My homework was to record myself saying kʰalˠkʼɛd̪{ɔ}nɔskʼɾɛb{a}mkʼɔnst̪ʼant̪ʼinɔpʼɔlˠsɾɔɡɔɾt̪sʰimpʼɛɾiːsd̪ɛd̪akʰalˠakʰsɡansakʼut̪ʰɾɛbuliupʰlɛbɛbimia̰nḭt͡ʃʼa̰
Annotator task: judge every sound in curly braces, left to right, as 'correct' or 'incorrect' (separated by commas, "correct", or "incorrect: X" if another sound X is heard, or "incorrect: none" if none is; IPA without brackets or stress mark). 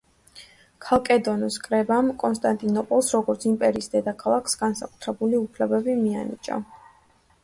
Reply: correct, correct